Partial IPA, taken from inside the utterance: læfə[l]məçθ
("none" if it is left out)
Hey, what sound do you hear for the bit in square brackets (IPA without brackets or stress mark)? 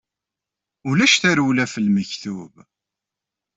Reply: l